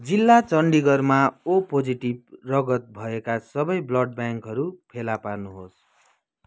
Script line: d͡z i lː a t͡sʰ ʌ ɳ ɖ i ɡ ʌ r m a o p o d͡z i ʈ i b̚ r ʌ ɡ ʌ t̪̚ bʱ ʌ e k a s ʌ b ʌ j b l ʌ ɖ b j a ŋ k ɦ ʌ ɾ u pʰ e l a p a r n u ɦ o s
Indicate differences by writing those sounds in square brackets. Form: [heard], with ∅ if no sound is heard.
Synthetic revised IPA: d͡z i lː a [t͡s] ʌ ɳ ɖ i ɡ ʌ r m a o p o d͡z i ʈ i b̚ r ʌ ɡ ʌ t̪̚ bʱ ʌ e k a s ʌ b ʌ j b l ʌ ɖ b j a ŋ k ɦ ʌ ɾ u pʰ e l a p a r n u ɦ o s